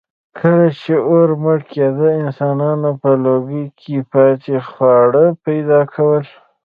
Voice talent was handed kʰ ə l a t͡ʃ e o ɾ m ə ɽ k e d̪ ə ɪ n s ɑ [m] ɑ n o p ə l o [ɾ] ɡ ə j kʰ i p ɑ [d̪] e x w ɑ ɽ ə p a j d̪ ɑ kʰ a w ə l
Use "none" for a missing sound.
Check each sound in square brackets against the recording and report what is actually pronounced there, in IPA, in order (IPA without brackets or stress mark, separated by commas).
n, none, t̪